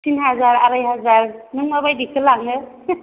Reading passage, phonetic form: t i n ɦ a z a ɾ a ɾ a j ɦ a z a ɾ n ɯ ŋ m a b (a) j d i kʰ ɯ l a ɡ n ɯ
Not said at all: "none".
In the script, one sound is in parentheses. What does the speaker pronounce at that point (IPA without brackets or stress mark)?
a